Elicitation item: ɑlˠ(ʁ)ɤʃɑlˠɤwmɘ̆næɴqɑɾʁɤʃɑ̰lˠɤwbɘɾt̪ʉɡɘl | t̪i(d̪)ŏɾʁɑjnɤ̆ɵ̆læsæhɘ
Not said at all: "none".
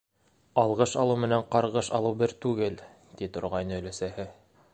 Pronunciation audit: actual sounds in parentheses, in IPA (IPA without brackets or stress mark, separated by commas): ʁ, t̪